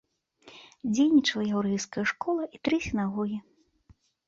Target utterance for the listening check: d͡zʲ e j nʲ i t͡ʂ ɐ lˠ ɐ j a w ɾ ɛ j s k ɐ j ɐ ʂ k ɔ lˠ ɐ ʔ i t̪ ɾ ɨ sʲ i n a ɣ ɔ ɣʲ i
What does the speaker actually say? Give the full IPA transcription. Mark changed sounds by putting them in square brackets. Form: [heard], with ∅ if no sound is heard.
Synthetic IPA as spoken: d͡zʲ e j nʲ i t͡ʂ ɐ lˠ ɐ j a w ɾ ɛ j s k ɐ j ɐ ʂ k ɔ lˠ ɐ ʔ i t̪ ɾ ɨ sʲ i n a ɣ ɔ ɣʲ i